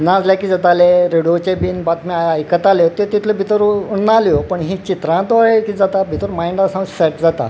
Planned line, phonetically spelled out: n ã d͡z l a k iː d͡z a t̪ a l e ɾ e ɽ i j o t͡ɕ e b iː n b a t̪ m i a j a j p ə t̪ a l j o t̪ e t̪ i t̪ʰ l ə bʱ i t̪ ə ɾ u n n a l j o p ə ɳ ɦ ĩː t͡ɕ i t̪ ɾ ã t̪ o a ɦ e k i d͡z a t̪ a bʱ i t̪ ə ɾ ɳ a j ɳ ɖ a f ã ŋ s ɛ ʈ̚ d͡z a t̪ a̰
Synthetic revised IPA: n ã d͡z l a k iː d͡z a t̪ a l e ɾ e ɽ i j o t͡ɕ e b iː n b a t̪ m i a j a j k ə t̪ a l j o t̪ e t̪ i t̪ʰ l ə bʱ i t̪ ə ɾ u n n a l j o p ə ɳ ɦ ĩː t͡ɕ i t̪ ɾ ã t̪ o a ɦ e k i d͡z a t̪ a bʱ i t̪ ə ɾ m a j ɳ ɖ a s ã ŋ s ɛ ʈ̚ d͡z a t̪ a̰

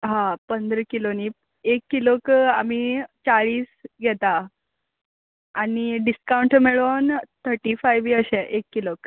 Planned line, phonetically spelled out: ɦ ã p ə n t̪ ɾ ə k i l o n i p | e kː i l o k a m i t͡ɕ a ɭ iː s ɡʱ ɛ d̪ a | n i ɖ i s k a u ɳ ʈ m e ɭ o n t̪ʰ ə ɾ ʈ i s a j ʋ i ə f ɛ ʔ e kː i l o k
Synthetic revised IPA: ɦ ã p ə n d̪ ɾ ə k i l o n i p | e kː i l o k a m i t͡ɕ a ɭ iː s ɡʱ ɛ t̪ a | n i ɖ i s k a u ɳ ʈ m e ɭ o n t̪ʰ ə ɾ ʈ i f a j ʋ i ə ɕ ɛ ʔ e kː i l o k

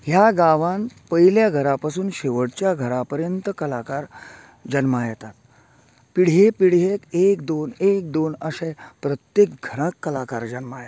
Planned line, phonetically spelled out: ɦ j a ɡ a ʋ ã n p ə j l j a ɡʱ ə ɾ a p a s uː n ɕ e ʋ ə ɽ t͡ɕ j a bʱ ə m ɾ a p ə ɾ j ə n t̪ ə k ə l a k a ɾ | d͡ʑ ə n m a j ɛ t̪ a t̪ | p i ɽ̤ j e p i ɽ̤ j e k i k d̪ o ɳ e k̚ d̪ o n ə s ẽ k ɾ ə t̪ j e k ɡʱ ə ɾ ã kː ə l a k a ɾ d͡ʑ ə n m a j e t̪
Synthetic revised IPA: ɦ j a ɡ a ʋ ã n p ə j l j a ɡʱ ə ɾ a p a s uː n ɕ e ʋ ə ɽ t͡ɕ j a ɡʱ ə ɾ a p ə ɾ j ə n t̪ ə k ə l a k a ɾ | d͡ʑ ə n m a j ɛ t̪ a t̪ | p i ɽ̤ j e p i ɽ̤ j e k e k d̪ o n e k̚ d̪ o n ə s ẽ p ɾ ə t̪ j e k ɡʱ ə ɾ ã kː ə l a k a ɾ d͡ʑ ə n m a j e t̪

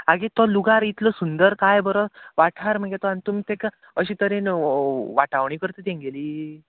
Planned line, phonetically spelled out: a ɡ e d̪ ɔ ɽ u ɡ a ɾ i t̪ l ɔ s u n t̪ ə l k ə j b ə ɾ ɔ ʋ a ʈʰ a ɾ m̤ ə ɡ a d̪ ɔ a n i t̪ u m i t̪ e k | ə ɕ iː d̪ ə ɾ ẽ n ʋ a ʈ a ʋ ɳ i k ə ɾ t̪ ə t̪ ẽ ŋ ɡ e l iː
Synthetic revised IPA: a ɡ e t̪ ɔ l u ɡ a ɾ i t̪ l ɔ s u n d̪ ə ɾ k a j b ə ɾ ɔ ʋ a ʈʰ a ɾ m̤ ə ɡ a t̪ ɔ a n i t̪ u m i t̪ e k | ə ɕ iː t̪ ə ɾ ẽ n ʋ a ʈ a ʋ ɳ i k ə ɾ t̪ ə t̪ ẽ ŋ ɡ e l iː

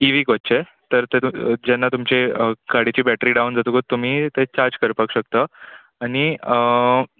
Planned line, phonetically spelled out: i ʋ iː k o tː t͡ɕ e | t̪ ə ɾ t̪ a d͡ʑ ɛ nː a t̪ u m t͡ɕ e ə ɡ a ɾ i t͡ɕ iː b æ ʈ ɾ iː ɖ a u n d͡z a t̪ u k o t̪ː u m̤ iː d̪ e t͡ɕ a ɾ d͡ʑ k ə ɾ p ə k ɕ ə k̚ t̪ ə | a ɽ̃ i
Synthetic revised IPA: i ʋ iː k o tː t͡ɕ e | t̪ ə ɾ t̪ e d͡ʑ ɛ nː a t̪ u m t͡ɕ e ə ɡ a ɽ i t͡ɕ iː b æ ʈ ɾ iː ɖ a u n d͡z a t̪ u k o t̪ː u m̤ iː t̪ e t͡ɕ a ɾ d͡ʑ k ə ɾ p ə k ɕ ə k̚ t̪ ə | a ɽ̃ i

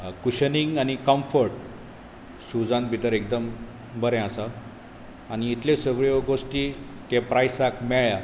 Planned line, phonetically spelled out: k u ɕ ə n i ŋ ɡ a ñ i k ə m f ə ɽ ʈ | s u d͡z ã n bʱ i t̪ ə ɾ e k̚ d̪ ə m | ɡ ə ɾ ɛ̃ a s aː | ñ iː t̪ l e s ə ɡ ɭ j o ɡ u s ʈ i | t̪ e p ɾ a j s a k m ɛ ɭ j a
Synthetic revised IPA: k u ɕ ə n i ŋ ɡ a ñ i k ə m f ə ɾ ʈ | s u d͡z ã n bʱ i t̪ ə ɾ e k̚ d̪ ə m | b ə ɾ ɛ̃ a s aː | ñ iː t̪ l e s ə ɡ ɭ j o ɡ o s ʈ i | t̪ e p ɾ a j s a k m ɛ ɭ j a

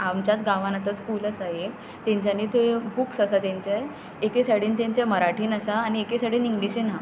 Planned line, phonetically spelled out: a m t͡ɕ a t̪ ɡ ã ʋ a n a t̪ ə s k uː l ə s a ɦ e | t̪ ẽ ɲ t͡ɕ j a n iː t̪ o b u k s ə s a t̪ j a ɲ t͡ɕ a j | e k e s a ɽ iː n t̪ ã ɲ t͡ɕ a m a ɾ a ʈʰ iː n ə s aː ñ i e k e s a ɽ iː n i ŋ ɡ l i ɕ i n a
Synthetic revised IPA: a m t͡ɕ a t̪ ɡ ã ʋ a n a t̪ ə s k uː l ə s a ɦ e | t̪ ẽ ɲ t͡ɕ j a n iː t̪ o b u k s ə s a t̪ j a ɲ t͡ɕ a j | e k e s a ɽ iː n t̪ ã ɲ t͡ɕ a m ə ɾ a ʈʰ iː n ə s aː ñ i e k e s a ɽ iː n i ŋ ɡ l i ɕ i n a

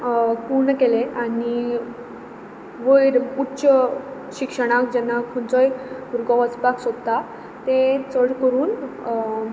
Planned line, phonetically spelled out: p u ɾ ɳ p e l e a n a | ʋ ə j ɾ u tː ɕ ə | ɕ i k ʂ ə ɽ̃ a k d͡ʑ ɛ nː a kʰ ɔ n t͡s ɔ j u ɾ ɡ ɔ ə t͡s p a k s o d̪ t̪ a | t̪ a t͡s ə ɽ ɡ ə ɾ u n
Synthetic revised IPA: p u ɾ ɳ k e l e a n i | ʋ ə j ɾ u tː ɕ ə | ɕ i k ʂ ə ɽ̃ a k d͡ʑ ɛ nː a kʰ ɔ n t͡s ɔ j u ɾ ɡ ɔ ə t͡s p a k s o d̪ t̪ a | t̪ e t͡s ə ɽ k ə ɾ uː n

